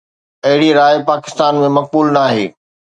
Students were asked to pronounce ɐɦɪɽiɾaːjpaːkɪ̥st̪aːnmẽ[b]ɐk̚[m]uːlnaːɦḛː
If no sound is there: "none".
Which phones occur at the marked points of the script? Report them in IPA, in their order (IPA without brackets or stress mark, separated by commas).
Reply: m, b